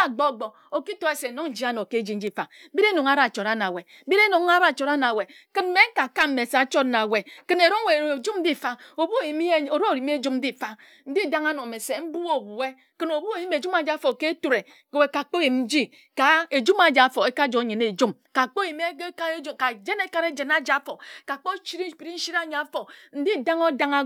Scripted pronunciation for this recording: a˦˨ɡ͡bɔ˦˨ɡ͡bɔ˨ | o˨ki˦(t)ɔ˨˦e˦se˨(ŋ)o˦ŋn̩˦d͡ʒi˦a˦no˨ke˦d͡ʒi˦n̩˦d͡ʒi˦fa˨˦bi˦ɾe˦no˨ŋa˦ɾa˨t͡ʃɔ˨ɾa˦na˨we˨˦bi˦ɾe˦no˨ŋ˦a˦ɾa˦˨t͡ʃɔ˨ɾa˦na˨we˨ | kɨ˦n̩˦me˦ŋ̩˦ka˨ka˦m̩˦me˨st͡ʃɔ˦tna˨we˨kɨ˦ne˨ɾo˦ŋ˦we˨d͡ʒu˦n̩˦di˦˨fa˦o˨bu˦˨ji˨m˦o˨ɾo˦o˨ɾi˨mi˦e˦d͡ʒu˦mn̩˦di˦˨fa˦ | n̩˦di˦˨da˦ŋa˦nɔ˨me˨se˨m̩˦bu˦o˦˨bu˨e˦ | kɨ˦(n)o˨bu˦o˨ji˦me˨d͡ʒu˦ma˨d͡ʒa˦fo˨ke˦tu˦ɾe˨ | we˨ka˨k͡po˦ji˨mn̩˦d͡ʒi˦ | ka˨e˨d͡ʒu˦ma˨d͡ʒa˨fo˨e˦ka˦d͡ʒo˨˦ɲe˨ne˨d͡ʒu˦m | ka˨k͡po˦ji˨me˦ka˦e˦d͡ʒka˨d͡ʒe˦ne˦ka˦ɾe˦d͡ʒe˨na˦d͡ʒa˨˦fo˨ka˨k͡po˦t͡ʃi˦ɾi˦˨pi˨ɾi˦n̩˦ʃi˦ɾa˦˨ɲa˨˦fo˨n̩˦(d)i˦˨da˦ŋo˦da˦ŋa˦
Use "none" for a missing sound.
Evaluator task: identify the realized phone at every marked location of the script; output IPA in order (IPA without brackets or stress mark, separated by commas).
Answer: t, n, n, d